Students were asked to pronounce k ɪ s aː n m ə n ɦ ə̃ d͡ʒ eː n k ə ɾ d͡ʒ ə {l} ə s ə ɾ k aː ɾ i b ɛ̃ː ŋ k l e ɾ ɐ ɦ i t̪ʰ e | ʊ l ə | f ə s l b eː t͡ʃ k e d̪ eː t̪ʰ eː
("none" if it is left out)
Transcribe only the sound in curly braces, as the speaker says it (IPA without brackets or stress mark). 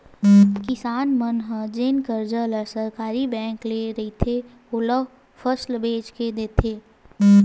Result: l